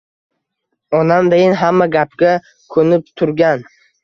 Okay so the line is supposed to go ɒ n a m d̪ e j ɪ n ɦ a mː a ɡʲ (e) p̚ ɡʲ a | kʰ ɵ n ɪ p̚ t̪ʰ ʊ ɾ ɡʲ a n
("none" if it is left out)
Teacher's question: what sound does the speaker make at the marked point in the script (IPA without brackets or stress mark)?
a